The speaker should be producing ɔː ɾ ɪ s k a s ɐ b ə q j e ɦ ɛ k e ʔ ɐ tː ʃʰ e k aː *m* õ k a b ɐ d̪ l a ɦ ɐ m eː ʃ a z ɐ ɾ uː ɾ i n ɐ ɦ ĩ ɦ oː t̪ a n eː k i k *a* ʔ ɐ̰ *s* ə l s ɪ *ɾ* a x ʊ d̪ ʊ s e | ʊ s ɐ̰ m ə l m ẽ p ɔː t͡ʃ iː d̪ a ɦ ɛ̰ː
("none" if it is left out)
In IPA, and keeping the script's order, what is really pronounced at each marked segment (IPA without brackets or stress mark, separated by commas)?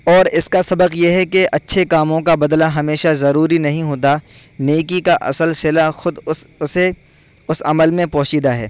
m, a, s, l